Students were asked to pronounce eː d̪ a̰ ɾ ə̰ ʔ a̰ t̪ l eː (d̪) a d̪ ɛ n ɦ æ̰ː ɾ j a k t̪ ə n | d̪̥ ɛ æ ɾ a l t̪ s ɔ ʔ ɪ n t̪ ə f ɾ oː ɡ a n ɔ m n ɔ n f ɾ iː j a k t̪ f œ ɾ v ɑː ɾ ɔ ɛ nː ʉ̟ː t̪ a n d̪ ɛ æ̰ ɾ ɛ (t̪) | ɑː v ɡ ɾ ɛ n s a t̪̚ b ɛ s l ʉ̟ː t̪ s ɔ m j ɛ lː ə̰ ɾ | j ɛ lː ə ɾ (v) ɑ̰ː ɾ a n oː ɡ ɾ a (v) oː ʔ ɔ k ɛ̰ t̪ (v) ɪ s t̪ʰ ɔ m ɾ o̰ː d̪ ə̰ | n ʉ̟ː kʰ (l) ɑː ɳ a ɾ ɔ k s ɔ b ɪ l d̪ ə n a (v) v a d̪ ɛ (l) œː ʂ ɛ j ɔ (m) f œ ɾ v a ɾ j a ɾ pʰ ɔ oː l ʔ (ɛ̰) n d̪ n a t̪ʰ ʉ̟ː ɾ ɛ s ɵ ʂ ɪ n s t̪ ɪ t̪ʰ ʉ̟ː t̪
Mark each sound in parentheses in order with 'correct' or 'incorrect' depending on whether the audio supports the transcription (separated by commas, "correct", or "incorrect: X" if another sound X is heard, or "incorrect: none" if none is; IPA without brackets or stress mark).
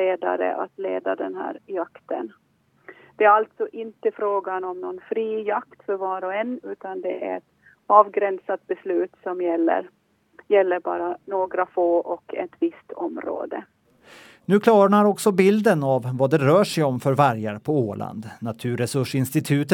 correct, correct, incorrect: b, incorrect: f, correct, correct, correct, incorrect: ɾ, correct, incorrect: a̰